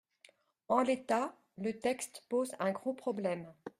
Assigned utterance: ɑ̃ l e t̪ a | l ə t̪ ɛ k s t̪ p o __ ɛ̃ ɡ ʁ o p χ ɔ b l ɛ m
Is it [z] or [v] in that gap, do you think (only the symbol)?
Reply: z